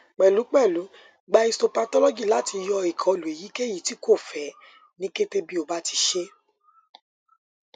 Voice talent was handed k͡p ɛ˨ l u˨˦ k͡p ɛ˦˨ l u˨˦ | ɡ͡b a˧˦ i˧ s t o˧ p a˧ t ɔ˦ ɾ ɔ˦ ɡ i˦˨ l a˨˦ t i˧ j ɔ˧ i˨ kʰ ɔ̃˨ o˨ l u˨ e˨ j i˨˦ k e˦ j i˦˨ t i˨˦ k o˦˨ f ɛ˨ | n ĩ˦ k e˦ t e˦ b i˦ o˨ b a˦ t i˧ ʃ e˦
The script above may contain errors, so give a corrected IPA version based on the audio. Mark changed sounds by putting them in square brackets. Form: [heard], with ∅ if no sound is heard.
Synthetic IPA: k͡p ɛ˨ l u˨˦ k͡p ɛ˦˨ l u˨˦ | ɡ͡b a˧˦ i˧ s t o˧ p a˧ t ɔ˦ [l] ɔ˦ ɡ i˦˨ l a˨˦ t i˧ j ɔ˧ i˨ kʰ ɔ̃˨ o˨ l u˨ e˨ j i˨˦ k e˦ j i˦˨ t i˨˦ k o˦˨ f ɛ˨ | n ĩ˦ k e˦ t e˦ b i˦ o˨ b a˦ t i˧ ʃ e˦